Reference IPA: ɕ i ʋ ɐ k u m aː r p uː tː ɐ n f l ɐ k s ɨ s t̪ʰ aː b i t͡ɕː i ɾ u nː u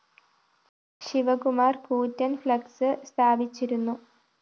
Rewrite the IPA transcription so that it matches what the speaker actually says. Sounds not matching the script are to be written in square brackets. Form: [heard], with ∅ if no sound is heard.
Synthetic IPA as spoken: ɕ i ʋ ɐ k u m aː r [k] uː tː ɐ n f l ɐ k s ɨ s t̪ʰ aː b i t͡ɕː i ɾ u nː u